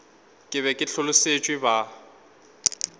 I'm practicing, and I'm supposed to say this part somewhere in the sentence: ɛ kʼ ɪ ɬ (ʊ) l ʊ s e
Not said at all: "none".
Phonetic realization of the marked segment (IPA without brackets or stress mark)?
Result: ʊ